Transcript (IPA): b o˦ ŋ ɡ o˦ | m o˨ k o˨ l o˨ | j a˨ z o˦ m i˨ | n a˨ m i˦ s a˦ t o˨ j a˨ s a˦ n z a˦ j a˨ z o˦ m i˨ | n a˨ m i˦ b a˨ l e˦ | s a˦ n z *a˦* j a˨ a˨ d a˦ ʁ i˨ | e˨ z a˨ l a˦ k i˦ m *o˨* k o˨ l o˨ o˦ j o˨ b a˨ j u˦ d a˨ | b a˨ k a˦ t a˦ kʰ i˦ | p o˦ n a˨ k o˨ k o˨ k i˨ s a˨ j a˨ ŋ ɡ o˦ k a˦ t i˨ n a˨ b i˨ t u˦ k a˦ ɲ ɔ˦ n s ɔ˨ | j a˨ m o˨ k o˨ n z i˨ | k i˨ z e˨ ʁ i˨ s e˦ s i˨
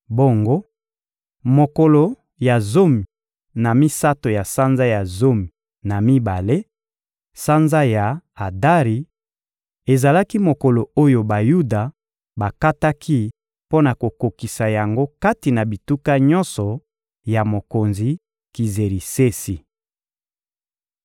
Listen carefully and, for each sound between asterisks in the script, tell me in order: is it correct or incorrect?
correct, correct

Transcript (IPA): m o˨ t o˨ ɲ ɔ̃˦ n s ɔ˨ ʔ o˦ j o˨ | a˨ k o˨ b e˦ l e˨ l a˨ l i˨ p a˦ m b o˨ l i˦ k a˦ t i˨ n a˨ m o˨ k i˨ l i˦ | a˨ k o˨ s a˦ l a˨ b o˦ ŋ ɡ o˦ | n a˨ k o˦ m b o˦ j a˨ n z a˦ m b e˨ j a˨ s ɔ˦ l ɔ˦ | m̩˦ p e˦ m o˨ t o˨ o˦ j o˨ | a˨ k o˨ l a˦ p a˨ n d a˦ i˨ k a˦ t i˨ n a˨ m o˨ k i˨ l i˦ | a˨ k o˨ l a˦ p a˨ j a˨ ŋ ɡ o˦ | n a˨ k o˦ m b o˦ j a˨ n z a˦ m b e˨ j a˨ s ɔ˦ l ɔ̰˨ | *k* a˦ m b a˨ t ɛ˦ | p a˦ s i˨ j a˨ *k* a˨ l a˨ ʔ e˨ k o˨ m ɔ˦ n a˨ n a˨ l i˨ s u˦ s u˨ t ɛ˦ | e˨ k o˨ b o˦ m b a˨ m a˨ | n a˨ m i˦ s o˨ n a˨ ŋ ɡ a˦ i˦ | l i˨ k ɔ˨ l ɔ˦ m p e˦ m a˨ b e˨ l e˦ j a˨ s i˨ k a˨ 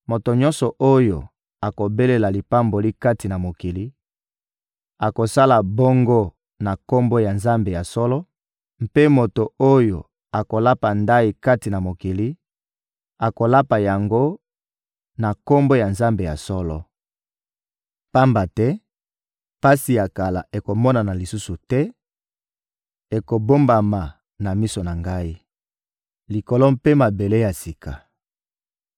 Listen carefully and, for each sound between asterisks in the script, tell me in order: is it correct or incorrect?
incorrect: p, correct

